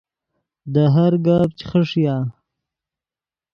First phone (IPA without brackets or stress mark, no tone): d̪